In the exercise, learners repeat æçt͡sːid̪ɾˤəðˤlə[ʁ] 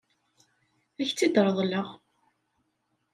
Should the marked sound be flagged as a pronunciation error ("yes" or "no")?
no